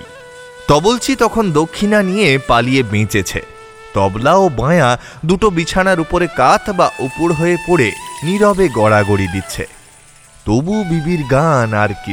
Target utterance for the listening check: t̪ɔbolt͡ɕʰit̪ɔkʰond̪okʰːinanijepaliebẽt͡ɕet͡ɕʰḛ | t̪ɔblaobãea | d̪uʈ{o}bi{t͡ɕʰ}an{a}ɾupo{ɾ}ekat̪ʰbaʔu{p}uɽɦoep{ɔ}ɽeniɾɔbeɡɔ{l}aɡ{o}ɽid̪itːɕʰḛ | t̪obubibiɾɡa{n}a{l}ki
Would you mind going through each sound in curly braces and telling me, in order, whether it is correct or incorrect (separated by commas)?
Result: correct, correct, correct, correct, correct, incorrect, incorrect, correct, correct, incorrect